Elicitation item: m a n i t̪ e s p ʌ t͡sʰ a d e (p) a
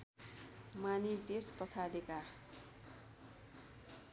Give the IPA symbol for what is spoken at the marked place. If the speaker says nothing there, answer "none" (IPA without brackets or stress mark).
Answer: k